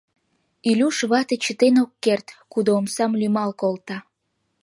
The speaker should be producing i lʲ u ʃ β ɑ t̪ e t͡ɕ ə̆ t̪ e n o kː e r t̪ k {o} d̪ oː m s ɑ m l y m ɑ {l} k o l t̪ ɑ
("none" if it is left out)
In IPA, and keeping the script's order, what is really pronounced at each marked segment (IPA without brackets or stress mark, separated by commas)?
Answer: u, l